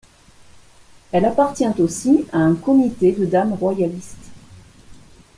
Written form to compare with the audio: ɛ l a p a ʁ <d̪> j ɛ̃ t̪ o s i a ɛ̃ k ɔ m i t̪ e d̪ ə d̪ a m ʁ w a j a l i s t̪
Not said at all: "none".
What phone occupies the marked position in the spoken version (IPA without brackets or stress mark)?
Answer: t̪